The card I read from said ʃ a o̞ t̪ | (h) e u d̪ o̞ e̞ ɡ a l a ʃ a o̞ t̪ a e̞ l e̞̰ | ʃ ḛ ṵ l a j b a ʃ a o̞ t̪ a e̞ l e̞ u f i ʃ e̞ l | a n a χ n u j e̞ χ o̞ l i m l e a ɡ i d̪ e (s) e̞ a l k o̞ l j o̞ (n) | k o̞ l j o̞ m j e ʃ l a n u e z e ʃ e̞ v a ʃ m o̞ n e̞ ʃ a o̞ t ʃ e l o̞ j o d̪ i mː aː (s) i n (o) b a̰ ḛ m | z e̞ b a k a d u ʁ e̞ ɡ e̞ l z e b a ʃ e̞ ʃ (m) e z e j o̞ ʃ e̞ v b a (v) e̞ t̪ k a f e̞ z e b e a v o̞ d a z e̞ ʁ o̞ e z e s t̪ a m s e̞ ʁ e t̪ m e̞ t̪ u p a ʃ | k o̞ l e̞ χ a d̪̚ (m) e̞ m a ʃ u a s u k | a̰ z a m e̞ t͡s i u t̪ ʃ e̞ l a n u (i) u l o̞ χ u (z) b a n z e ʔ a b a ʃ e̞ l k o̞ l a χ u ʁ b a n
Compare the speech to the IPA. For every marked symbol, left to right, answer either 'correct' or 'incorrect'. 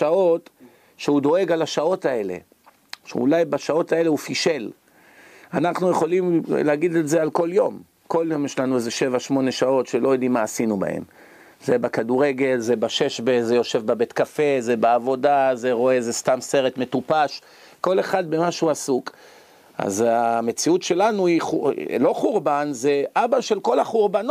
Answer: incorrect, incorrect, incorrect, correct, incorrect, incorrect, incorrect, incorrect, correct, incorrect

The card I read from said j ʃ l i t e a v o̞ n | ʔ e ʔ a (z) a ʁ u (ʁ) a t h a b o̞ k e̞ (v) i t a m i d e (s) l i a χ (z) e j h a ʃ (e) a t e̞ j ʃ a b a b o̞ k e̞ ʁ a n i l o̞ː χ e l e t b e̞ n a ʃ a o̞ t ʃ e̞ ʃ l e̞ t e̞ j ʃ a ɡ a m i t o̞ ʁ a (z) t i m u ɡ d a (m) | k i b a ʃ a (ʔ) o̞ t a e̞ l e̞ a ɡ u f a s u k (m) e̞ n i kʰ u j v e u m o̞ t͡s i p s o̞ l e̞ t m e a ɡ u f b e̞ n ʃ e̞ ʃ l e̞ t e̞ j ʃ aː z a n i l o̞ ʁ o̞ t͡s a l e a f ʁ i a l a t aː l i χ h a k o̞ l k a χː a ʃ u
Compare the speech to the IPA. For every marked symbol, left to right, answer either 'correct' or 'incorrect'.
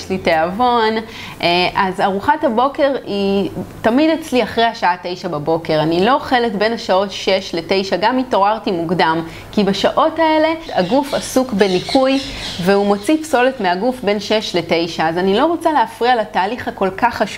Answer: correct, incorrect, incorrect, incorrect, incorrect, incorrect, incorrect, correct, correct, incorrect

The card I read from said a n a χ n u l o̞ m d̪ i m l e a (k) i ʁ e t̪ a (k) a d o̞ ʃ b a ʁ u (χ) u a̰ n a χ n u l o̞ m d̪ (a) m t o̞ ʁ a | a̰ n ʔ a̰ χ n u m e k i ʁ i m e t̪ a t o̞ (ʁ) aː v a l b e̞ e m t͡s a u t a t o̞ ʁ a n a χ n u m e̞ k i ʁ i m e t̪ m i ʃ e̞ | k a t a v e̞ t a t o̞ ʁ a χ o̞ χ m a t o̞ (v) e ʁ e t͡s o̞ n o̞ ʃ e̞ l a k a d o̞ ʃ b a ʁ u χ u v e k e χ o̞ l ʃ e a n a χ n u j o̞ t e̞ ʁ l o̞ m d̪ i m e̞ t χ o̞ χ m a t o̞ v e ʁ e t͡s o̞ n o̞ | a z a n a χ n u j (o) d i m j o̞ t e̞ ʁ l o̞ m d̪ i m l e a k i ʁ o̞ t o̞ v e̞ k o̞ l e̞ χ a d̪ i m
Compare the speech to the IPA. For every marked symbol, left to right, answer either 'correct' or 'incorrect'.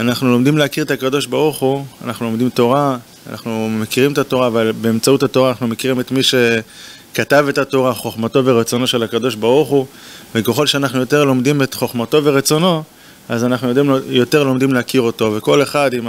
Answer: correct, correct, correct, incorrect, correct, correct, correct

